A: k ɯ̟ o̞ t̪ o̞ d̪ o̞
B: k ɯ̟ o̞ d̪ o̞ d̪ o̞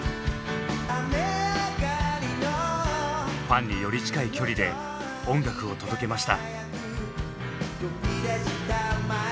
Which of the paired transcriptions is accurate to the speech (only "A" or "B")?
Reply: A